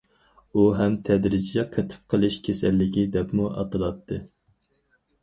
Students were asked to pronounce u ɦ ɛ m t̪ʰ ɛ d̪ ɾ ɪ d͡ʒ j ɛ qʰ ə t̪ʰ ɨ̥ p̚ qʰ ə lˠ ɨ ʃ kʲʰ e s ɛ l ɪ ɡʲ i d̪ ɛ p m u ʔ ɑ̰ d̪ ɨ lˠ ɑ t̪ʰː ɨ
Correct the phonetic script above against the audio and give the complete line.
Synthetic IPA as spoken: u ɦ ɛ m t̪ʰ ɛ d̪ ɾ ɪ d͡ʒ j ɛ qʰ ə t̪ʰ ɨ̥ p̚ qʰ ə lˠ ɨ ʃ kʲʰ e s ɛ lː ɪ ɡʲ i d̪ ɛ p m u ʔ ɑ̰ t̪ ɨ lˠ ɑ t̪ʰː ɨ